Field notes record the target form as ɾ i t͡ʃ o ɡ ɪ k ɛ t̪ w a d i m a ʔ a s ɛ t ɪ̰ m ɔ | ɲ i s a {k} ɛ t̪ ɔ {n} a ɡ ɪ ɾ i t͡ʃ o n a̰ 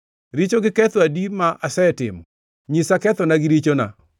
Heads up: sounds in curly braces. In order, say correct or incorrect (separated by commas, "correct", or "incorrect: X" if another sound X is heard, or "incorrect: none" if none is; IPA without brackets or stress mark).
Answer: correct, correct